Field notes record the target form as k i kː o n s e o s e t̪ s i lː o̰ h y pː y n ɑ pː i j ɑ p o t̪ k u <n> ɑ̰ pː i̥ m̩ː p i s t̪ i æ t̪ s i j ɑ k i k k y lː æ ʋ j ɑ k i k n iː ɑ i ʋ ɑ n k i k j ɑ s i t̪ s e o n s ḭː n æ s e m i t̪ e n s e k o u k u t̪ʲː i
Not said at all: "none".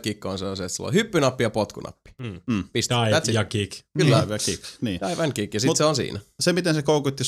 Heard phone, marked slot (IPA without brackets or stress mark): n